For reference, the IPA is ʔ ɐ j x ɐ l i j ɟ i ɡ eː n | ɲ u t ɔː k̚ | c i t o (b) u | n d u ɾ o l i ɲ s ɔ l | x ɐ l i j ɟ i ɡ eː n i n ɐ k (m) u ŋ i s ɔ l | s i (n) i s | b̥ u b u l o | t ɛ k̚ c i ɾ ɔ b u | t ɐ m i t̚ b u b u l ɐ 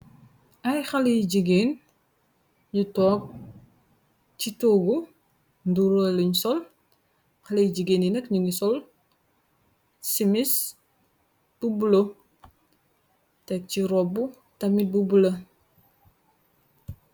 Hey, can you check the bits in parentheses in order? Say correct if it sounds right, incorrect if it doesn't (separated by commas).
incorrect, incorrect, incorrect